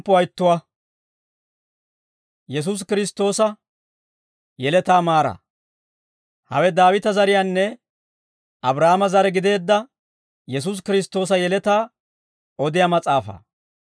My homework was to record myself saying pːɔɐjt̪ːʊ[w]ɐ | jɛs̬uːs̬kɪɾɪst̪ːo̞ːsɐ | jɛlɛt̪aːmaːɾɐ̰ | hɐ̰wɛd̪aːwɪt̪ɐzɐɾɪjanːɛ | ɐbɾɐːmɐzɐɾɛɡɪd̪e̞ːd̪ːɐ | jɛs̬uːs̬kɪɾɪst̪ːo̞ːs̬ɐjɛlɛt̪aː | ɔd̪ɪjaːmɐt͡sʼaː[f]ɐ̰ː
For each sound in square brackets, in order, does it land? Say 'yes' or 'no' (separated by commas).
yes, yes